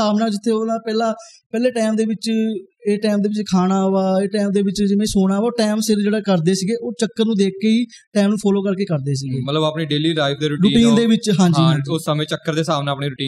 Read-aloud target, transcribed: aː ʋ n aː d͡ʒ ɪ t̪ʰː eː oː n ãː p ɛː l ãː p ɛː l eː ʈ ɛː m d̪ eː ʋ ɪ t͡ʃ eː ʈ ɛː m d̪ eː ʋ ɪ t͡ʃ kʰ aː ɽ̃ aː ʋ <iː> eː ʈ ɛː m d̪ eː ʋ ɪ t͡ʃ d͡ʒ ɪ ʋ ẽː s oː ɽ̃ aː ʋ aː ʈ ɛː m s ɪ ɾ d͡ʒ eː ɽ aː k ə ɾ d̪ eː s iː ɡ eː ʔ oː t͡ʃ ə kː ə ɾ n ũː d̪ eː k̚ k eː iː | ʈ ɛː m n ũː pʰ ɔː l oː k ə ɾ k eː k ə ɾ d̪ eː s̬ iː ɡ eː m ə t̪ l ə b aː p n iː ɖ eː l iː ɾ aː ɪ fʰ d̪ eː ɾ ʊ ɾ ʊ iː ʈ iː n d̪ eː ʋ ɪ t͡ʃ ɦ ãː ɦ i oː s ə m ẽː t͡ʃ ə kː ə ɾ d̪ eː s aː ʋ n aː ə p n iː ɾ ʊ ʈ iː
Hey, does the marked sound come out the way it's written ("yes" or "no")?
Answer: no